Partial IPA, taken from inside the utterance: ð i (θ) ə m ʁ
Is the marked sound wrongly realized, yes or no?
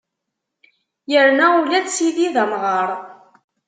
yes